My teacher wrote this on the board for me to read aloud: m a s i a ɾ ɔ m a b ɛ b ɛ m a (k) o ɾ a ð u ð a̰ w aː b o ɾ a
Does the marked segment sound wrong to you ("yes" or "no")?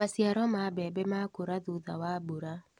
no